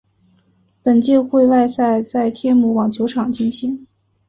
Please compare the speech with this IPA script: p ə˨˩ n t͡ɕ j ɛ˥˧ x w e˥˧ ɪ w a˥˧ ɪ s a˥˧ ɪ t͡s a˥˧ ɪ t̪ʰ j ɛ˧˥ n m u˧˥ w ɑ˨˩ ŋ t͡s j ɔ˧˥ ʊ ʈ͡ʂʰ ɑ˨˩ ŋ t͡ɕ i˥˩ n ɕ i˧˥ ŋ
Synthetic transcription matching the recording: p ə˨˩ n t͡ɕ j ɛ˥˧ x w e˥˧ ɪ w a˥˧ ɪ s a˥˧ ɪ t͡s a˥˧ ɪ t̪ʰ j ɛ˥˧ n m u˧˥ w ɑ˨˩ ŋ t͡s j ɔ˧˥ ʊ ʈ͡ʂʰ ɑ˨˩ ŋ t͡ɕ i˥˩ n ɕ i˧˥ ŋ